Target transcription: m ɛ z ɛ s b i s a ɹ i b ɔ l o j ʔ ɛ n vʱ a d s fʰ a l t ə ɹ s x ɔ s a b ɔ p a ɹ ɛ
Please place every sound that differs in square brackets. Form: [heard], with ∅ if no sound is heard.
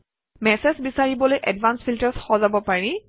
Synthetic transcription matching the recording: m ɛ [s] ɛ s b i s a ɹ i b ɔ l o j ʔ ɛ [d] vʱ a [n] s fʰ [i] l t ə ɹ s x ɔ [z] a b ɔ p a ɹ [i]